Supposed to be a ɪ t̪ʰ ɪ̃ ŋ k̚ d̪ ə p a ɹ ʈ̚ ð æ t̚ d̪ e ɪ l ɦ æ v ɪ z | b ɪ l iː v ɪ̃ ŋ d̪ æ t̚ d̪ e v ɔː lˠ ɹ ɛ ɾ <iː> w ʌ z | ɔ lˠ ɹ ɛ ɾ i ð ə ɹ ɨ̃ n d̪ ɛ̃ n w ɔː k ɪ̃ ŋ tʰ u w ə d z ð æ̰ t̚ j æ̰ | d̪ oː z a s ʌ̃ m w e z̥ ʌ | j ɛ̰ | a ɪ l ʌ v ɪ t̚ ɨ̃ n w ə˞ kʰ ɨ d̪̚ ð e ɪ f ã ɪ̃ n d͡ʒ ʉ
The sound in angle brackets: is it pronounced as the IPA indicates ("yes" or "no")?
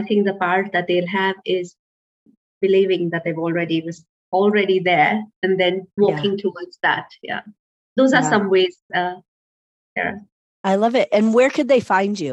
no